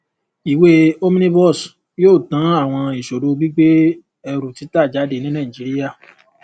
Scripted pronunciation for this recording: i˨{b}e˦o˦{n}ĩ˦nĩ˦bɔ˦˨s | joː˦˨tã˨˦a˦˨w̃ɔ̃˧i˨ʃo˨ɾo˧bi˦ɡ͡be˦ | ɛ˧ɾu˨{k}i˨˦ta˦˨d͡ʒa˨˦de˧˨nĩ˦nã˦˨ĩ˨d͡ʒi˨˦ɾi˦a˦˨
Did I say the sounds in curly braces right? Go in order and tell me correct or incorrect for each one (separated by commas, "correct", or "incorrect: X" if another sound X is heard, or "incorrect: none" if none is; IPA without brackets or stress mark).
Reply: incorrect: w, incorrect: m, incorrect: t